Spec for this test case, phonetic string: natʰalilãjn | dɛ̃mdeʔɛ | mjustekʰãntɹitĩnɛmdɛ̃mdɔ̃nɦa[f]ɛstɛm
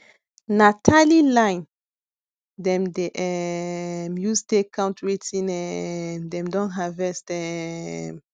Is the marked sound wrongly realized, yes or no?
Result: yes